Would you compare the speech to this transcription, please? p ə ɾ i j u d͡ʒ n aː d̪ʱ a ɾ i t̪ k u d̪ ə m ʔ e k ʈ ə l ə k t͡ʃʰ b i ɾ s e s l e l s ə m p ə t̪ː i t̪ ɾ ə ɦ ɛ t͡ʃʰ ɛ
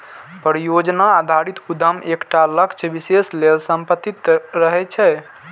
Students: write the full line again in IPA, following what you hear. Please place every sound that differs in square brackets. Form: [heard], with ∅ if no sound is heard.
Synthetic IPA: p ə ɾ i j [o] d͡ʒ n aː d̪ʱ a ɾ i t̪ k u d̪ ə m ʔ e k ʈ [a] l ə k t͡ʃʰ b i [∅] s e s l e l s ə m p ə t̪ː i t̪ ɾ ə ɦ ɛ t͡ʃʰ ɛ

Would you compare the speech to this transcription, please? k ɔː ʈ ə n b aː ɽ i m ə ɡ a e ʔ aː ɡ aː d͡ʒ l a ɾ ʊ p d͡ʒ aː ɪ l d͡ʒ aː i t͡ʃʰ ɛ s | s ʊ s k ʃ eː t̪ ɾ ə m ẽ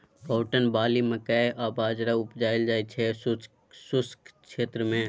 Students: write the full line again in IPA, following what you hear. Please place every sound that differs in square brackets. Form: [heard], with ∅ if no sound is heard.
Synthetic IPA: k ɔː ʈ ə n b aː [l] i m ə [k] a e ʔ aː [b] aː d͡ʒ [ɾ] a [∅] ʊ p d͡ʒ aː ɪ l d͡ʒ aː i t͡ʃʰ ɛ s | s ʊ s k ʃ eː t̪ ɾ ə m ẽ

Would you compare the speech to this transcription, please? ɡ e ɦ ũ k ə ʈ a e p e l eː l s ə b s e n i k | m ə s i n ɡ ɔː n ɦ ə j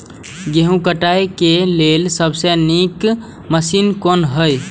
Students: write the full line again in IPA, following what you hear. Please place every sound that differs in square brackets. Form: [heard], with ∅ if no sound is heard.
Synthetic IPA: ɡ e ɦ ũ k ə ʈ a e [k] e l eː l s ə b s e n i k | m ə s i n [k] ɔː n ɦ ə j

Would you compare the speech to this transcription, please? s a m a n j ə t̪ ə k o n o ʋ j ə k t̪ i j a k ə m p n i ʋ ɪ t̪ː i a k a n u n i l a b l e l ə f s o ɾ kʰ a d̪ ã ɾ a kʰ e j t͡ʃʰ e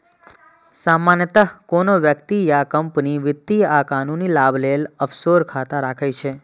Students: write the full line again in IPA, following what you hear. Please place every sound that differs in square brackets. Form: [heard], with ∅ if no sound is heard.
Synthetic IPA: s a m a n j ə t̪ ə k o n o ʋ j ə k t̪ i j a k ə m p n i ʋ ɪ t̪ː i a k a n u n i l a b l e l ə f s o ɾ kʰ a [t̪] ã ɾ a kʰ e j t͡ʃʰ e

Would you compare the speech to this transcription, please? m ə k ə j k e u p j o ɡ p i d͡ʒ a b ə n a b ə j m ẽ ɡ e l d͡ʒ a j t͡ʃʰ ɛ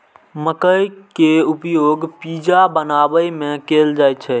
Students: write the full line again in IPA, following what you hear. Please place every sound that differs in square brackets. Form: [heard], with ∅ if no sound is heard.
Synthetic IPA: m ə k ə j k e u p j o ɡ p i d͡ʒ a b ə n a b ə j m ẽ [k] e l d͡ʒ a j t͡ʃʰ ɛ

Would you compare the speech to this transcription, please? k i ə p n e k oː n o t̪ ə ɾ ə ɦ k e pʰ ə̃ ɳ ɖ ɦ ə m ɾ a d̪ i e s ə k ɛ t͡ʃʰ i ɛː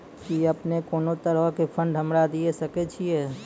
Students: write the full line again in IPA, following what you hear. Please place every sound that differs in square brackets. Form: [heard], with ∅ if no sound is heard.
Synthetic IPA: k i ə p n e k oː n o t̪ ə ɾ ə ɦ k e pʰ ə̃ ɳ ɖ ɦ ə m ɾ a d̪ i e s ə k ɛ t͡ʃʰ i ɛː

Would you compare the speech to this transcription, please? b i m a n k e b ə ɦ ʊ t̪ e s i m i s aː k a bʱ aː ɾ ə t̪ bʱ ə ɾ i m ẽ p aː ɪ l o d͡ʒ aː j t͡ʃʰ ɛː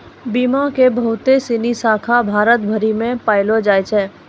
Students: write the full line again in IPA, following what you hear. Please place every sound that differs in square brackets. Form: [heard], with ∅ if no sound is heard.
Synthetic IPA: b i m a [∅] k e b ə ɦ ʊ t̪ e s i [n] i s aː [kʰ] a bʱ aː ɾ ə t̪ bʱ ə ɾ i m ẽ p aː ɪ l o d͡ʒ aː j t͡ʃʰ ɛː

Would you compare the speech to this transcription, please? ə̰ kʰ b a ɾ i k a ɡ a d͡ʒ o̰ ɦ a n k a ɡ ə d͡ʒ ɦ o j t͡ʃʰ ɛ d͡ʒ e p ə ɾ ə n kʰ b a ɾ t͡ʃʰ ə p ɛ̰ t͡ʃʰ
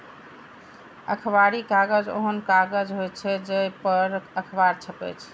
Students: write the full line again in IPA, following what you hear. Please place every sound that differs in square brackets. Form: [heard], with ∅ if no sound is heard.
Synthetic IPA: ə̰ kʰ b a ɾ i k a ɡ [ə] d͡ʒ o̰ ɦ [ə] n k a ɡ ə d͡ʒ ɦ o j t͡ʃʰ ɛ d͡ʒ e p ə ɾ ə [∅] kʰ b a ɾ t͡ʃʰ ə p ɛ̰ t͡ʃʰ

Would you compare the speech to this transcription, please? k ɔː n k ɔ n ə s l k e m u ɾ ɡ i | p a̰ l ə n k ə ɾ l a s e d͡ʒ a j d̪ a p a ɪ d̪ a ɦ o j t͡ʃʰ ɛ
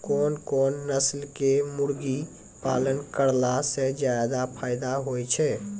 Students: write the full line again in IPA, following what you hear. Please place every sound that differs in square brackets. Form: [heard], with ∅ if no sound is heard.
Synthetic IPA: k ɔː n k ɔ [nː] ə s l k e m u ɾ ɡ i | p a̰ l ə n k ə ɾ l a s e d͡ʒ a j d̪ a [pʰ] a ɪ d̪ a ɦ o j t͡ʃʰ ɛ

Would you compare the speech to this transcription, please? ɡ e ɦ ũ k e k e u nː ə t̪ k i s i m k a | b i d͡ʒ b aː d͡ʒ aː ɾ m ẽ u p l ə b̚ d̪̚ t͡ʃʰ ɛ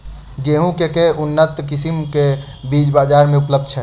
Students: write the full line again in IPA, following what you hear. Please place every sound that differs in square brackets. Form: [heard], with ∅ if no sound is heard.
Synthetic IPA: ɡ e ɦ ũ k e k e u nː ə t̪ k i s i m k [e] | b i d͡ʒ b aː d͡ʒ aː ɾ m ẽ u p l ə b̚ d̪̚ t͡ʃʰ ɛ

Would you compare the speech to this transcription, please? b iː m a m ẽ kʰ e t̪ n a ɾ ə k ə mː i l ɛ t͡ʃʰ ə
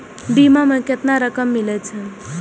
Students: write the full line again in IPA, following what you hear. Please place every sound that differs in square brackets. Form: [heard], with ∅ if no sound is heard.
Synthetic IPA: b [i] m a m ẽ [k] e t̪ n a ɾ ə k ə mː i l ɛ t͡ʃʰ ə

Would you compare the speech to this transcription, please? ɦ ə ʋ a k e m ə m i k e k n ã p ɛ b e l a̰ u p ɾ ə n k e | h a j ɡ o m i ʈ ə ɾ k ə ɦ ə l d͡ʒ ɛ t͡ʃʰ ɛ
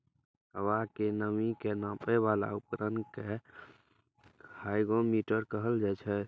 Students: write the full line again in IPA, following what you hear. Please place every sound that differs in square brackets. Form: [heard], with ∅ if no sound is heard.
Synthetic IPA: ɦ ə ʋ a k e [n] ə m i k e [∅] n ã p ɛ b [a] l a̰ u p ɾ ə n k e | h a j ɡ o m i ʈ ə ɾ k ə ɦ ə l d͡ʒ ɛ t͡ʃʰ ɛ

